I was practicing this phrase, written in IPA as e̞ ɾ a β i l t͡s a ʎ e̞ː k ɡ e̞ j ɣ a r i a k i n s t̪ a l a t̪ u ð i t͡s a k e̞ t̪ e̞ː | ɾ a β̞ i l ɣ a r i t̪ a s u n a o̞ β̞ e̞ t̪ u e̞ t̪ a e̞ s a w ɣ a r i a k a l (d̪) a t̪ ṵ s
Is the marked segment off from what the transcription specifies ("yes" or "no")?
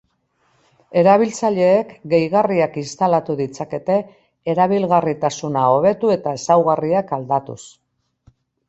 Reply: no